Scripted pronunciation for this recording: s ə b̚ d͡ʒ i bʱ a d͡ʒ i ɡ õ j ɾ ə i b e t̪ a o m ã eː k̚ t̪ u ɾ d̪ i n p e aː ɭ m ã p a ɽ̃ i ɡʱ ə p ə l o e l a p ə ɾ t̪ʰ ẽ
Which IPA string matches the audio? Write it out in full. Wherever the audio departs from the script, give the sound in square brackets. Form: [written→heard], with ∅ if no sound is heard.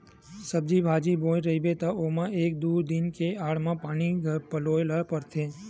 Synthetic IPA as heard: s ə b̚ d͡ʒ i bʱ a d͡ʒ i [ɡ→b] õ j ɾ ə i b e t̪ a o m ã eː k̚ [t̪→d̪] u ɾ d̪ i n [p→k] e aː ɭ m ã p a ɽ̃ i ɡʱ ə p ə l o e l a p ə ɾ t̪ʰ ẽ